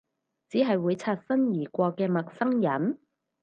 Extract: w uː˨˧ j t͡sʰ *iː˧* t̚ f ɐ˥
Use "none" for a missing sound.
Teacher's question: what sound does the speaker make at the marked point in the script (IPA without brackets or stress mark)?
aː˧